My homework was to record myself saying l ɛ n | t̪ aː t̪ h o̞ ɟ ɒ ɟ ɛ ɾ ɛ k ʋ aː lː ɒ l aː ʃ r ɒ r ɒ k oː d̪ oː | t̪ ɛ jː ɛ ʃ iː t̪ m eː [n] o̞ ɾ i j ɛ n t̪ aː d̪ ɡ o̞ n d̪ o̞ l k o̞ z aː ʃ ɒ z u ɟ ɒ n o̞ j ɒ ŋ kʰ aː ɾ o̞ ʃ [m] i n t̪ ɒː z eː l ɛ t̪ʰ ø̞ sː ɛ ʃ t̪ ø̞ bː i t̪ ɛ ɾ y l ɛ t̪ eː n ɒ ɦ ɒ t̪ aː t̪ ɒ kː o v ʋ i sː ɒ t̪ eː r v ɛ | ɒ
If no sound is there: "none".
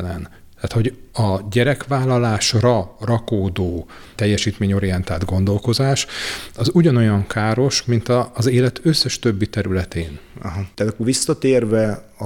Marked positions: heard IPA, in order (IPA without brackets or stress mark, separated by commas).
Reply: ɲ, m